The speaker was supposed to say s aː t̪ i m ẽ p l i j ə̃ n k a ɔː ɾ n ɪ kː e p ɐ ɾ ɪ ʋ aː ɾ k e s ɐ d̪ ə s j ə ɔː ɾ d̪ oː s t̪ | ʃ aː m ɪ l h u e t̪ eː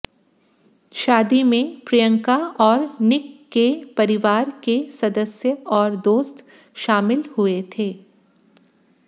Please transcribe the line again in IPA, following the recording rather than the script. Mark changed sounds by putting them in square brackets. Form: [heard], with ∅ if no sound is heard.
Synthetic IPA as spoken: [ʃ] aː [d̪] i m ẽ p [ɾ] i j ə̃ [ŋ] k a ɔː ɾ n ɪ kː e p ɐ ɾ ɪ ʋ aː ɾ k e s ɐ d̪ ə s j ə ɔː ɾ d̪ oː s t̪ | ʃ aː m ɪ l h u e [t̪ʰ] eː